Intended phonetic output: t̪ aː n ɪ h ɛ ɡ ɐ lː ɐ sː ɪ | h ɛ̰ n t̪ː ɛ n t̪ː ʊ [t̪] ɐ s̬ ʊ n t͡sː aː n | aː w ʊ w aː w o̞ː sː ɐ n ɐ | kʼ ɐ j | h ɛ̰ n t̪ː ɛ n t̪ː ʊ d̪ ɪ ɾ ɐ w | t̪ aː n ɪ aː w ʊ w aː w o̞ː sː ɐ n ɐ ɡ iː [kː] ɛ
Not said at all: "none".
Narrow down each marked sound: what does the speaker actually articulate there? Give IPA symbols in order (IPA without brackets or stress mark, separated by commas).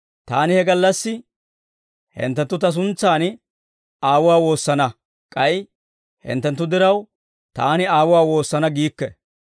t̪, kː